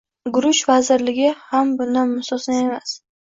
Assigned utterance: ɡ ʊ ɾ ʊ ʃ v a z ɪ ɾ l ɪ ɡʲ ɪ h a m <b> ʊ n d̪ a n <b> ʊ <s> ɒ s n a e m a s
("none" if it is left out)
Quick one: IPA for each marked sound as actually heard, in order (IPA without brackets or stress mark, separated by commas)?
b, m, s